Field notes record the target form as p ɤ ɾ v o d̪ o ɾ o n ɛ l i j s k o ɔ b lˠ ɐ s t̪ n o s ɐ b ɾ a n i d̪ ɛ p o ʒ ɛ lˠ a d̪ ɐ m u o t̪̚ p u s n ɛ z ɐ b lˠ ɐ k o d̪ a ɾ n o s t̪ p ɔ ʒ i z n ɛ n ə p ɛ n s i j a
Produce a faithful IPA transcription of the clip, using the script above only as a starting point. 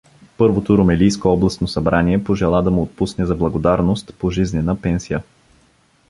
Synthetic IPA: p ɤ ɾ v o t̪ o ɾ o m ɛ l i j s k o ɔ b lˠ ɐ s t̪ n o s ɐ b ɾ a n i ɛ p o ʒ ɛ lˠ a d̪ ɐ m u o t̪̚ p u s n ɛ z ɐ b lˠ ɐ ɡ o d̪ a ɾ n o s t̪ p o ʒ i z n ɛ n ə p ɛ n s i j ə